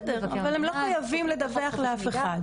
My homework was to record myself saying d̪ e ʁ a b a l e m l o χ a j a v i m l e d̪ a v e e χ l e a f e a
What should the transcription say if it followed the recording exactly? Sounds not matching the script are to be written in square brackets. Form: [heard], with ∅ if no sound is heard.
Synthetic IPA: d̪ e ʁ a [v] a l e m l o χ a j a v i m l e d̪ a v e [a] χ l e a f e a